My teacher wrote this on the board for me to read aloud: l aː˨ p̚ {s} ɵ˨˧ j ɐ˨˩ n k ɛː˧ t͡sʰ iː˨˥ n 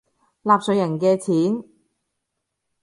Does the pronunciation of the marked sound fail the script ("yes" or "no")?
no